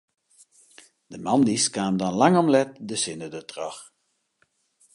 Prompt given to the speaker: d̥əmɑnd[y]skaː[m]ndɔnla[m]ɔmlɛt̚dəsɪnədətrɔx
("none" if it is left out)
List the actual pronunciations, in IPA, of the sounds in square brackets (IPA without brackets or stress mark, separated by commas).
i, m, ŋ